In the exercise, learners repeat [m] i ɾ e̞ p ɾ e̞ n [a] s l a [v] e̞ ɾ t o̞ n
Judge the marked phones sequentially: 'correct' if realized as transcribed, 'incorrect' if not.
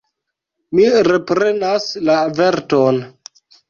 correct, correct, correct

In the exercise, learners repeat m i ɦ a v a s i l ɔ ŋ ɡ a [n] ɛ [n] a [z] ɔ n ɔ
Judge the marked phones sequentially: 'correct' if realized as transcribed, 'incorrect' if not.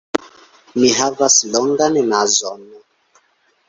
correct, correct, correct

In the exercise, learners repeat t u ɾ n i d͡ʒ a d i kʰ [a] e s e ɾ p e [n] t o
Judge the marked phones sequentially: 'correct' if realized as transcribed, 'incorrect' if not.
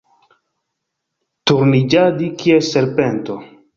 incorrect: i, correct

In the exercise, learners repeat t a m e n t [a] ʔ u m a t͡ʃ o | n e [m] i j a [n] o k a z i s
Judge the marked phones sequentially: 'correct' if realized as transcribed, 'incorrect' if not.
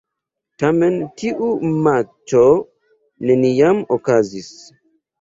incorrect: i, incorrect: n, incorrect: m

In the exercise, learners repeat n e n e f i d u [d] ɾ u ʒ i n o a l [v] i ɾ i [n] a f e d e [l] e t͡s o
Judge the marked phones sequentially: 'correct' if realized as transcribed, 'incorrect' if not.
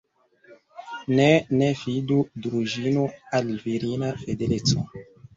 correct, correct, correct, correct

